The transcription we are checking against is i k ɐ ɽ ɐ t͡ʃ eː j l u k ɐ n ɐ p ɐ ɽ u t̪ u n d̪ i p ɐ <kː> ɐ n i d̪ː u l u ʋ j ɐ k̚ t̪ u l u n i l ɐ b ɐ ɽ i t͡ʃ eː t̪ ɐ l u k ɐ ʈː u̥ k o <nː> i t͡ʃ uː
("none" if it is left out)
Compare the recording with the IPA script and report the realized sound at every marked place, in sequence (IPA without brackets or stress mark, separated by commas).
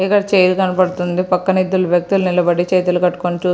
kː, n